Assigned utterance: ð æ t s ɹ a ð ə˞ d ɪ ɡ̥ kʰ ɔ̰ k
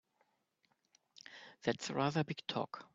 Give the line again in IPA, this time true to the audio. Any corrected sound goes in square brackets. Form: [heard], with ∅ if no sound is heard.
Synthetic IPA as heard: ð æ t s ɹ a ð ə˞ [b] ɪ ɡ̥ [tʰ] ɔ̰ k